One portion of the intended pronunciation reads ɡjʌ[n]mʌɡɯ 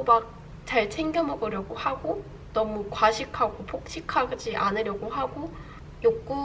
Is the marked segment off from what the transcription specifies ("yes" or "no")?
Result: yes